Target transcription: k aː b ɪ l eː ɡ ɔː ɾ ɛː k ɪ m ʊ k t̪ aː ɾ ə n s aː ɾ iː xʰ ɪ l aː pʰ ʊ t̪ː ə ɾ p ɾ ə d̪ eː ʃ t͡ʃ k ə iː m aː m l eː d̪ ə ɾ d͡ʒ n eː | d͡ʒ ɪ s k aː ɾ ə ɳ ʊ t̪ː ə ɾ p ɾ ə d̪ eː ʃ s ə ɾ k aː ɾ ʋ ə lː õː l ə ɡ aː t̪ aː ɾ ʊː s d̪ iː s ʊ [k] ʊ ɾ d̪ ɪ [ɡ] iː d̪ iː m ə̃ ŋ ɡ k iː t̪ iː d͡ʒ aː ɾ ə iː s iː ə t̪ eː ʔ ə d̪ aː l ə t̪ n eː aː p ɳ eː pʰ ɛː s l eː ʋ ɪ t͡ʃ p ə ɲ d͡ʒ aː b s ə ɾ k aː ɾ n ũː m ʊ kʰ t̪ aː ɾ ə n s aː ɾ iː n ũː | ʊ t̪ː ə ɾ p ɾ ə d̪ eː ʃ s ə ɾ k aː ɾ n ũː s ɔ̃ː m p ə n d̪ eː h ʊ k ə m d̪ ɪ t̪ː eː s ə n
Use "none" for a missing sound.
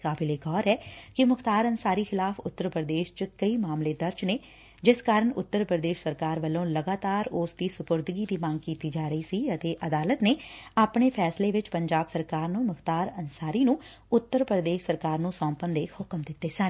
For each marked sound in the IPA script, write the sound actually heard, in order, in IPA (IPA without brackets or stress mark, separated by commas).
p, ɡ